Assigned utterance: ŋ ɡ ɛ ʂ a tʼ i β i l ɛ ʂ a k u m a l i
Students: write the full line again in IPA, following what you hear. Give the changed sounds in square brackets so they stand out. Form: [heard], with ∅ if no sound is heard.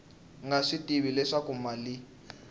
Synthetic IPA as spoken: ŋ ɡ [a] ʂ [i] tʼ i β i l ɛ ʂ a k u m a l i

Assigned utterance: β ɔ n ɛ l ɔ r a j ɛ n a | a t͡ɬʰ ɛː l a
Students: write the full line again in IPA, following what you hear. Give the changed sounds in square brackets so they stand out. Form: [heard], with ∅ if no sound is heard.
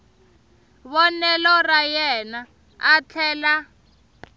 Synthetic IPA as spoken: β ɔ n ɛ l ɔ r a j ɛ n a | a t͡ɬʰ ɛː l a

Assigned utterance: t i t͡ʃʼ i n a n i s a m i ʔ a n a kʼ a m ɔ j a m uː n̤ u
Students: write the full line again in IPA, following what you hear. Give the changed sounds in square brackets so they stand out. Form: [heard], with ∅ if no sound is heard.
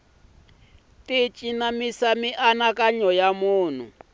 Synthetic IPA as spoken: t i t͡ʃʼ i n a [m] i s a m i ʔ a n a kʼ a [ɲ] ɔ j a m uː n̤ u

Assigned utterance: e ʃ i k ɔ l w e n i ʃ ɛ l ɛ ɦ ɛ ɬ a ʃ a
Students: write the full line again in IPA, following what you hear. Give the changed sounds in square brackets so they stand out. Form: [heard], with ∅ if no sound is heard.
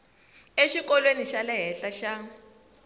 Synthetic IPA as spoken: e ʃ i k ɔ l w e n i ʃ [a] l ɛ ɦ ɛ ɬ a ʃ a

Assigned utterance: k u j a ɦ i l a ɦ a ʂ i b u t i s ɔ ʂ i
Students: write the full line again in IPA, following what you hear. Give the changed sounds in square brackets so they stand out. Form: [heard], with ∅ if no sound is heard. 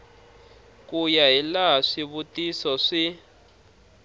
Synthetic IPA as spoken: k u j a ɦ i l a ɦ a ʂ i [β] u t i s ɔ ʂ i

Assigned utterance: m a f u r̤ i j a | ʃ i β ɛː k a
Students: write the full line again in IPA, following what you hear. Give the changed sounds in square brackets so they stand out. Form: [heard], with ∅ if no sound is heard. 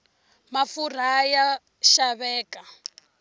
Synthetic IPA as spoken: m a f u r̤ [a] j a | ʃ [a] β ɛː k a

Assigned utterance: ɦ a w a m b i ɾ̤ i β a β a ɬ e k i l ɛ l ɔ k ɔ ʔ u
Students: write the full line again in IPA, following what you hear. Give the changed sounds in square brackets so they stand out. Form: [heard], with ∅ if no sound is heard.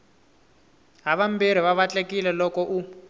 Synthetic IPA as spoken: ɦ a [β] a m b i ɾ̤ i β a β a [t͡ɬ] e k i l ɛ l ɔ k ɔ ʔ u

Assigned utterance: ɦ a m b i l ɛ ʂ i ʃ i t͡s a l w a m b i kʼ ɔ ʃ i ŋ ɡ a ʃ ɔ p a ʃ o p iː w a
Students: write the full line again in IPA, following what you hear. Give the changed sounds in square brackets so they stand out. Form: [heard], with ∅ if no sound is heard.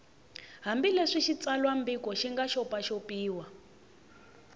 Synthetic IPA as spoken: ɦ a m b i l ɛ ʂ i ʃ i t͡s a l w a m b i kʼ ɔ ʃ i ŋ ɡ a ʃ ɔ p a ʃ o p iː w a

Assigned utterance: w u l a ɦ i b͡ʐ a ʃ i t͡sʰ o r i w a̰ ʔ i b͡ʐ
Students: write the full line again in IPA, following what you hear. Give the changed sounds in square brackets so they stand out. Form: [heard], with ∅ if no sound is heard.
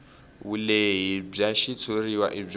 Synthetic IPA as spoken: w u l [e] ɦ i b͡ʐ a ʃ i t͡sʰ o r i w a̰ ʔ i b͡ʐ

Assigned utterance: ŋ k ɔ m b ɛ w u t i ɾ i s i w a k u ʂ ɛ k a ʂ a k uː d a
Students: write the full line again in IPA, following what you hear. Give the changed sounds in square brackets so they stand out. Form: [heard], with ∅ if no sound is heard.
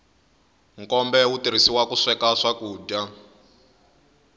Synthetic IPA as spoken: ŋ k ɔ m b ɛ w u t i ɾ i s i w a k u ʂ ɛ k a ʂ a k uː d a

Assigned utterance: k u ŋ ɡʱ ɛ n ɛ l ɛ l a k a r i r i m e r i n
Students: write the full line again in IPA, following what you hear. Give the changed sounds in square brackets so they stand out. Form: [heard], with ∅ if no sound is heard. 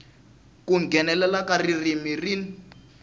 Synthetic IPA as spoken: k u ŋ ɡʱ ɛ n ɛ l ɛ l a k a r i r i m [i] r i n

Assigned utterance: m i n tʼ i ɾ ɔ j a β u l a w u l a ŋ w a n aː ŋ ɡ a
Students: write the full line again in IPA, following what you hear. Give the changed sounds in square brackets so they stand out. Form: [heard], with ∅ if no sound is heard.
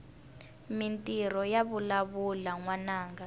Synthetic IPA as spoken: m i n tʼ i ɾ ɔ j a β u l a [β] u l a ŋ w a n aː ŋ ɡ a

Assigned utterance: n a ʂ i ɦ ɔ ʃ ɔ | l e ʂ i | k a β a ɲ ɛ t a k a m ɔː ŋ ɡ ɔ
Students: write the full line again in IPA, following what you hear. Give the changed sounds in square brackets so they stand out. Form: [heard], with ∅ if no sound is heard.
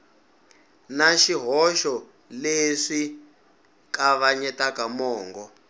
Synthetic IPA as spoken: n a [ʃ] i ɦ ɔ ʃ ɔ | l e ʂ i | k a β a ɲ ɛ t a k a m ɔː ŋ ɡ ɔ

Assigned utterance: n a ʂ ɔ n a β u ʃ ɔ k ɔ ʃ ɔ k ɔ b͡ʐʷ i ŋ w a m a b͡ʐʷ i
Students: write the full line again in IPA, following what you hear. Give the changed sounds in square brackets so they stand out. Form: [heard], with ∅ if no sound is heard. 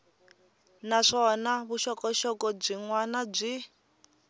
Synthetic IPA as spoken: n a ʂ ɔ n a β u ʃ ɔ k ɔ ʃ ɔ k ɔ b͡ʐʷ i ŋ w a [n] a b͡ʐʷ i

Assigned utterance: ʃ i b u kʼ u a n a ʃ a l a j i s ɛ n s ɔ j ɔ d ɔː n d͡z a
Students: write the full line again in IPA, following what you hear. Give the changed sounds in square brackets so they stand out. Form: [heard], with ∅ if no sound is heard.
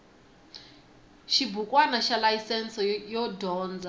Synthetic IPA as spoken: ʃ i b u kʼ [w] a n a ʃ a l a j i s ɛ n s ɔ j ɔ d ɔː n d͡z a

